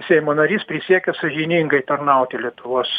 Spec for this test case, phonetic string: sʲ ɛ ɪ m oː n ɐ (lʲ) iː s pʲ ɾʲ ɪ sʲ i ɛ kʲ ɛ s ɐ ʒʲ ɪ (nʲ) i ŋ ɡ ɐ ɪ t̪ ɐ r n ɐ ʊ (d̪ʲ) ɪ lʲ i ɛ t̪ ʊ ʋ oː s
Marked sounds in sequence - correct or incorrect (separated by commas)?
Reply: incorrect, correct, incorrect